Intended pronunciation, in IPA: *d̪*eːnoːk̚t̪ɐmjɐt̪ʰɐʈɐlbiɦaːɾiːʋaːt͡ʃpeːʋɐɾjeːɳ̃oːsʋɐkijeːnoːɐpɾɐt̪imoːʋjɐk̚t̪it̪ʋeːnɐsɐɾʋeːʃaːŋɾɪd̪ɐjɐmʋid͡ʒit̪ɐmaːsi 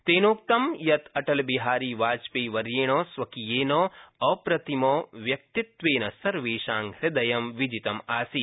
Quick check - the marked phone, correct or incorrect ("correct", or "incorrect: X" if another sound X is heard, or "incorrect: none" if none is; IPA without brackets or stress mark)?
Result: incorrect: t̪